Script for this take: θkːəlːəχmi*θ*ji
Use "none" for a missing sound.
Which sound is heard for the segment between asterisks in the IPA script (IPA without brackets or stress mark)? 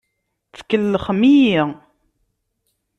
none